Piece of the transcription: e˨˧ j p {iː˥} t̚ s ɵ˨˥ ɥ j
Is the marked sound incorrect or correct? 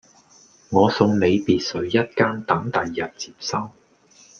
incorrect